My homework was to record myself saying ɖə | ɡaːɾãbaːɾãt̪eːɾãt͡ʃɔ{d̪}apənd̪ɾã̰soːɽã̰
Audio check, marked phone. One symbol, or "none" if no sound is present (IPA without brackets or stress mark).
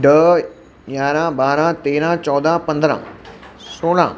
d̪